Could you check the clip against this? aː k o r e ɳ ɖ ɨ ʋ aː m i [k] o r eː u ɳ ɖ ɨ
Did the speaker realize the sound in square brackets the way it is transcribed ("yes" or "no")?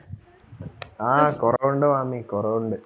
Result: yes